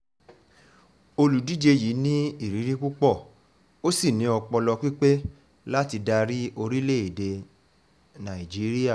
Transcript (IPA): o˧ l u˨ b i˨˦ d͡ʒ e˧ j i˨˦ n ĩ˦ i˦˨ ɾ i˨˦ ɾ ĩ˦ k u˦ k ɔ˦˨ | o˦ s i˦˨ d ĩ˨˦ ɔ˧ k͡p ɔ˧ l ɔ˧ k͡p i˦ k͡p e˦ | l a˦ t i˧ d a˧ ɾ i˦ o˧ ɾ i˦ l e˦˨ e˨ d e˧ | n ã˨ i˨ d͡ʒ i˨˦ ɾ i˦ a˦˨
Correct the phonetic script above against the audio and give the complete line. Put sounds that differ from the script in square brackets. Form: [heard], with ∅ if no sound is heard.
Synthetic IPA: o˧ l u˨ [d] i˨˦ d͡ʒ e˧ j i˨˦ n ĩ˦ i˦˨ ɾ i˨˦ ɾ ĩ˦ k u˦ [k͡p] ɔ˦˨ | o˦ s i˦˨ [n] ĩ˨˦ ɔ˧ k͡p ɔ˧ l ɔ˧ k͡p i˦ k͡p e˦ | l a˦ t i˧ d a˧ ɾ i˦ o˧ ɾ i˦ l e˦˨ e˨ d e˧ | n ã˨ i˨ d͡ʒ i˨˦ ɾ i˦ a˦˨